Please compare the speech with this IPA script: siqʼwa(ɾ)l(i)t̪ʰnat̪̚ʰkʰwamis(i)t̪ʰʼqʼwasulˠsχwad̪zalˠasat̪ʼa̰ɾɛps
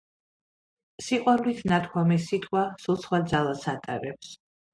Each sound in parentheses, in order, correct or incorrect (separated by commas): correct, correct, correct